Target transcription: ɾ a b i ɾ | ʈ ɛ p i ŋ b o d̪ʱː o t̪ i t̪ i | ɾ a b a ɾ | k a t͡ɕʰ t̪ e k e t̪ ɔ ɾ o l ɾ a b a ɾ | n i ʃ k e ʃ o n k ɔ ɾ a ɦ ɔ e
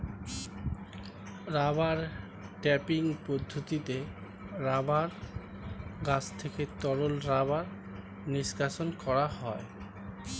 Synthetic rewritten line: ɾ a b a ɾ | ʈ ɛ p i ŋ p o d̪ʱː o t̪ i t̪ e | ɾ a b a ɾ | ɡ a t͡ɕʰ t̪ʰ e k e t̪ ɔ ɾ o l ɾ a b a ɾ | n i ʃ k a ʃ o n k ɔ ɾ a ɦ ɔ e